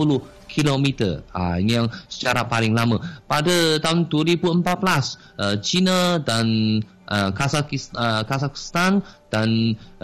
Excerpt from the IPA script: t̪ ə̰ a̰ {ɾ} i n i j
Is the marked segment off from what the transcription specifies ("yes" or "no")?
yes